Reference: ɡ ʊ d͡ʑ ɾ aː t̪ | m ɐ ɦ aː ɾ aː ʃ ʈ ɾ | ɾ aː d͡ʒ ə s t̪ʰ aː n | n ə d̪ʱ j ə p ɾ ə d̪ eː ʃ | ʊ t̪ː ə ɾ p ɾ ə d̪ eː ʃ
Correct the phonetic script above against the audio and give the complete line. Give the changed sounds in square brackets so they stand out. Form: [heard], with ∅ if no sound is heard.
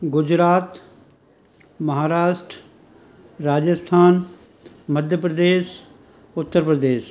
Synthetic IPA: ɡ ʊ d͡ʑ ɾ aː t̪ | m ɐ ɦ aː ɾ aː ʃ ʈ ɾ | ɾ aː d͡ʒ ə s t̪ʰ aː n | [m] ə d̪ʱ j ə p ɾ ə d̪ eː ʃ | ʊ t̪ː ə ɾ p ɾ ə d̪ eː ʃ

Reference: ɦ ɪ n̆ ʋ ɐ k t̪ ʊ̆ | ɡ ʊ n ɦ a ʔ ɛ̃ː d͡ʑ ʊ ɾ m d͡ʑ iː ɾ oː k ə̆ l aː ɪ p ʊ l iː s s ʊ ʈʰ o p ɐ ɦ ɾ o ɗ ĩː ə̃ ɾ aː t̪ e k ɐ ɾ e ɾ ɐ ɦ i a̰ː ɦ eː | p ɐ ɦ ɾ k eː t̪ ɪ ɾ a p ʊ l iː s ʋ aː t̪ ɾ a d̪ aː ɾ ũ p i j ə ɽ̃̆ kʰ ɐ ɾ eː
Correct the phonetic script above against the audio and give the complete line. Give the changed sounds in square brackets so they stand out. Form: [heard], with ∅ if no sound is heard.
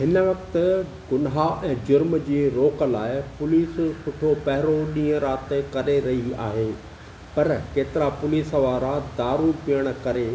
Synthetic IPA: ɦ ɪ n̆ ʋ ɐ k t̪ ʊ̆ | ɡ ʊ n ɦ a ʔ ɛ̃ː d͡ʑ ʊ ɾ m d͡ʑ iː ɾ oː k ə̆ l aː ɪ p ʊ l iː s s ʊ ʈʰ o p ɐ ɦ ɾ o ɗ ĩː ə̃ ɾ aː t̪ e k ɐ ɾ e ɾ ɐ ɦ i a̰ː ɦ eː | p ɐ [∅] ɾ k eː t̪ ɪ ɾ a p ʊ l iː s ʋ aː [∅] ɾ a d̪ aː ɾ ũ p i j ə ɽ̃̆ [k] ɐ ɾ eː

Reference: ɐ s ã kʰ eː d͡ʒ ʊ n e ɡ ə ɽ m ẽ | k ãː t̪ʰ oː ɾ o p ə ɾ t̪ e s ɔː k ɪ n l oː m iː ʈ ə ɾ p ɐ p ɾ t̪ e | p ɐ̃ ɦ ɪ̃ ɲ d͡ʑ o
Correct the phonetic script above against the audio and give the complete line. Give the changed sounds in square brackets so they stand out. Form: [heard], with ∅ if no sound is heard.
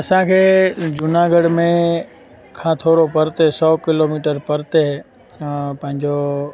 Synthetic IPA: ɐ s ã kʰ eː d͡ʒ ʊ n [a] ɡ ə ɽ m ẽ | [kʰ] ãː t̪ʰ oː ɾ o p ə ɾ t̪ e s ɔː k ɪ [∅] l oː m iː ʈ ə ɾ p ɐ [∅] ɾ t̪ e | p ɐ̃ ɦ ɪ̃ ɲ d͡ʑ o

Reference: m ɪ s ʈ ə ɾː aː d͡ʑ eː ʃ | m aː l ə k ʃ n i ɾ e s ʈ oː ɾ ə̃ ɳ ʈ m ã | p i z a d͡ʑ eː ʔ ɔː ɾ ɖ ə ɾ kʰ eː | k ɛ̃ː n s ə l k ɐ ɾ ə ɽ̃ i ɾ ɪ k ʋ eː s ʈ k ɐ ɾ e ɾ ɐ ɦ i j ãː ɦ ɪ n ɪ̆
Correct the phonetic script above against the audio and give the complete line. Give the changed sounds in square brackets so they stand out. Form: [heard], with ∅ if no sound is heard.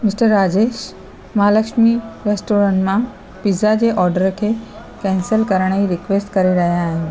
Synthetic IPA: m ɪ s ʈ ə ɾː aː d͡ʑ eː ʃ | m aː l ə k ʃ [m] i ɾ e s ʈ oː ɾ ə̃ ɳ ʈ m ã | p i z a d͡ʑ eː ʔ ɔː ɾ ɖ ə ɾ kʰ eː | k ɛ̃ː n s ə l k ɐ ɾ ə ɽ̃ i ɾ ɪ k ʋ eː s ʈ k ɐ ɾ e ɾ ɐ ɦ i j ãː ɦ ɪ n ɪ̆

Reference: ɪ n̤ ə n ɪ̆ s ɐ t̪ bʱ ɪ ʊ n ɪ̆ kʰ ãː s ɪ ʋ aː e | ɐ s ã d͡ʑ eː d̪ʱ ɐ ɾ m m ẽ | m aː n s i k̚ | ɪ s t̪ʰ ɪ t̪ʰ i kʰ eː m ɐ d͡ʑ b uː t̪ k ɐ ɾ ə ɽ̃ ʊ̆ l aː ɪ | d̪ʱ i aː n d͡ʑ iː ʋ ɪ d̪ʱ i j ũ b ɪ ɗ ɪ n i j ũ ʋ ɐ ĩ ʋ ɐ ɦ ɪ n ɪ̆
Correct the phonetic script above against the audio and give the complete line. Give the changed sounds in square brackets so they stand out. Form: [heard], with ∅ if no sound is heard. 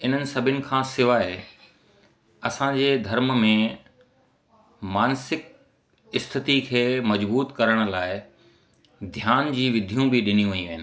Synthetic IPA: ɪ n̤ ə n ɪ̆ s ɐ [∅] bʱ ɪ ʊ n ɪ̆ kʰ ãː s ɪ ʋ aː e | ɐ s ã d͡ʑ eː d̪ʱ ɐ ɾ m m ẽ | m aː n s [ɪ] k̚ | ɪ s t̪ʰ ɪ [t̪] i kʰ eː m ɐ d͡ʑ b uː t̪ k ɐ ɾ ə ɽ̃ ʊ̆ l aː ɪ | d̪ʱ [j] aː n d͡ʑ iː ʋ ɪ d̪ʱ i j ũ b ɪ ɗ ɪ n i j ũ ʋ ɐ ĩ ʋ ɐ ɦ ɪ n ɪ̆

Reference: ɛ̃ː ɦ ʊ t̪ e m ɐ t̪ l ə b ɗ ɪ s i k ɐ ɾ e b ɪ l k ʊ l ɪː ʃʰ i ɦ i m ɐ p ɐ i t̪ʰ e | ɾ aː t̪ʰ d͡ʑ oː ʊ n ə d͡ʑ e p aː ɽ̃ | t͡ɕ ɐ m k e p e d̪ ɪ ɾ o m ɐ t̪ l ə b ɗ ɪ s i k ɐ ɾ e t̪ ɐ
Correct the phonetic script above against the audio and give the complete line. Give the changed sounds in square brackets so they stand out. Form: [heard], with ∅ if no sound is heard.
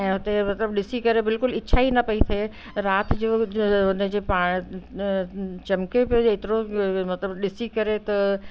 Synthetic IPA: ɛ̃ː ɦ ʊ t̪ e m ɐ t̪ l ə b ɗ ɪ s i k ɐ ɾ e b ɪ l k ʊ l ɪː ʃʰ [a] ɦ i [n] ɐ p ɐ i t̪ʰ e | ɾ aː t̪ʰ d͡ʑ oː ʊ n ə d͡ʑ e p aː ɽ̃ | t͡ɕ ɐ m k e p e [t̪] ɪ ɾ o m ɐ t̪ l ə b ɗ ɪ s i k ɐ ɾ e t̪ ɐ

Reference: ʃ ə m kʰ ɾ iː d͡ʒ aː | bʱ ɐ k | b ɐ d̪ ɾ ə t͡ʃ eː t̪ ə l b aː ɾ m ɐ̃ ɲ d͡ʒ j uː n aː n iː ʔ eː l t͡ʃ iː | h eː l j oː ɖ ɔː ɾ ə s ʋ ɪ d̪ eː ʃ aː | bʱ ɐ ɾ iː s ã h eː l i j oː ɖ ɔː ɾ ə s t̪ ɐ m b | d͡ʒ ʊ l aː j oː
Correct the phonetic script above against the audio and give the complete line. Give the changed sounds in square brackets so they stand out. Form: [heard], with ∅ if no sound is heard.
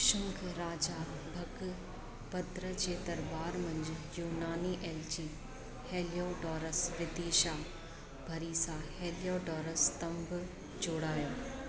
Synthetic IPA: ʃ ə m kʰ ɾ [aː] d͡ʒ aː | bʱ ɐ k | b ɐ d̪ ɾ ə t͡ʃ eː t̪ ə [ɾ] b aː ɾ m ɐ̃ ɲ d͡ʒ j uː n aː n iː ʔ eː l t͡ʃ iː | h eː l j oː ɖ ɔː ɾ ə s ʋ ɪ d̪ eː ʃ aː | bʱ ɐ ɾ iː s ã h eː l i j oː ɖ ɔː ɾ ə s t̪ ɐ m b | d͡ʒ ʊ [ɽ] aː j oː

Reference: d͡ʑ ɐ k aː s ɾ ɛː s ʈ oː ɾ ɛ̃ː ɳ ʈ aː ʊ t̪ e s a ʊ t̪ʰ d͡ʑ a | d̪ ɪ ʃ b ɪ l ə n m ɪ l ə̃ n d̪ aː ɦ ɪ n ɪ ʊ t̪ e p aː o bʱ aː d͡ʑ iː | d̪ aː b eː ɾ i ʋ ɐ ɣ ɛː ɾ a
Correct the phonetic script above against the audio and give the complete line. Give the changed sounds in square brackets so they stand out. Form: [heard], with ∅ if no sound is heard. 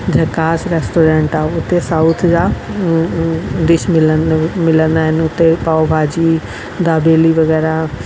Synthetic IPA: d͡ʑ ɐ k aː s ɾ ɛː s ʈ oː ɾ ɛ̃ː ɳ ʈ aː ʊ t̪ e s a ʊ t̪ʰ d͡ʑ a | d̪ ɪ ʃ [m] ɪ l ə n m ɪ l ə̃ n d̪ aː ɦ ɪ n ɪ ʊ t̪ e p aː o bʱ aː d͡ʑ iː | d̪ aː b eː [l] i ʋ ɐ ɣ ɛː ɾ a

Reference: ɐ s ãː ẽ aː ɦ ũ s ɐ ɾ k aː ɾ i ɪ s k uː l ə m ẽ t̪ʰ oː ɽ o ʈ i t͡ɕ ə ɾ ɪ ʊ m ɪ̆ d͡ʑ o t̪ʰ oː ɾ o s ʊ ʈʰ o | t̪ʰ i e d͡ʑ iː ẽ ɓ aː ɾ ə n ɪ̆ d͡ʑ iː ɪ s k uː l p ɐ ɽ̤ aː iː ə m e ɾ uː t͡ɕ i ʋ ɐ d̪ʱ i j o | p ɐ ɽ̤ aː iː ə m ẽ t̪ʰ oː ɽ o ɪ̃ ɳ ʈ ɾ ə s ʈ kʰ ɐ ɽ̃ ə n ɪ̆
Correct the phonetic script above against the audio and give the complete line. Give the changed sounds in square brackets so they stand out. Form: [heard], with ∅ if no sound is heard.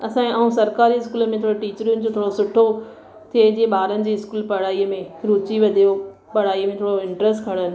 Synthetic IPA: ɐ s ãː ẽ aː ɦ ũ s ɐ ɾ k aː ɾ i ɪ s k uː l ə m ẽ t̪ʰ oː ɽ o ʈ [iː] t͡ɕ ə ɾ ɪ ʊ [n] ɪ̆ d͡ʑ o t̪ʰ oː [ɽ] o s ʊ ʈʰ o | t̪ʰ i e d͡ʑ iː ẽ ɓ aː ɾ ə n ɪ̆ d͡ʑ iː ɪ s k uː l p ɐ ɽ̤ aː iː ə m [ẽ] ɾ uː t͡ɕ i ʋ ɐ d̪ʱ i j o | p ɐ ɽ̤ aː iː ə m ẽ t̪ʰ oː ɽ o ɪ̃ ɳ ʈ ɾ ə s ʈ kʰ ɐ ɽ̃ ə n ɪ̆

